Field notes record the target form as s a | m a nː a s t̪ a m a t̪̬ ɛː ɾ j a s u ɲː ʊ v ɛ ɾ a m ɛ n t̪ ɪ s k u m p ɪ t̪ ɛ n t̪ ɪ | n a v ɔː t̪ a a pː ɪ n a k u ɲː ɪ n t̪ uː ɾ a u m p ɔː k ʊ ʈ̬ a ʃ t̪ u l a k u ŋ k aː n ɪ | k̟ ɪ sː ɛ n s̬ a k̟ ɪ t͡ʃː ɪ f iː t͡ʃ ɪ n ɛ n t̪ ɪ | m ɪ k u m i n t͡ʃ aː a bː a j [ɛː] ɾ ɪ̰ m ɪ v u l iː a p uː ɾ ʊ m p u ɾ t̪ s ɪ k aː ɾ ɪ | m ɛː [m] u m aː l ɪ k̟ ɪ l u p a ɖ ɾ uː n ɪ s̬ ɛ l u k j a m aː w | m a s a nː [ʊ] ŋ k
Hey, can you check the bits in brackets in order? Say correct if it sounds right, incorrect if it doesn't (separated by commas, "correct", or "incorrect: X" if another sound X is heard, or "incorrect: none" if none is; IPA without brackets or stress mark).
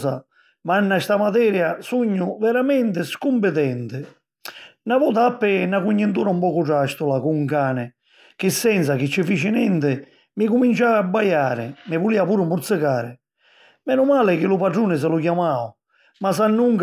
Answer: incorrect: aː, incorrect: n, incorrect: u